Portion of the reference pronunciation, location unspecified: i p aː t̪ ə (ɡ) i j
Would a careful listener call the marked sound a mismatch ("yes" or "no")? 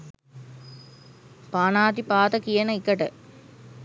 yes